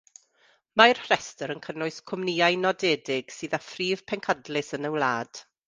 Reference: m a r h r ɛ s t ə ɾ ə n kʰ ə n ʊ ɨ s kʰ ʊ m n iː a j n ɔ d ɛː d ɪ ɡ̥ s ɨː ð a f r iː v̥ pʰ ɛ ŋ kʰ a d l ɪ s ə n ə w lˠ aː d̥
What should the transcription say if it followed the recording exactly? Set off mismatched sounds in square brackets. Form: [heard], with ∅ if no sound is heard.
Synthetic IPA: m a r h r ɛ s t ə ɾ ə n kʰ ə n ʊ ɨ s kʰ ʊ m n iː a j n ɔ d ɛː d ɪ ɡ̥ s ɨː ð a f r iː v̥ pʰ ɛ ŋ kʰ a d l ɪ s ə n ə w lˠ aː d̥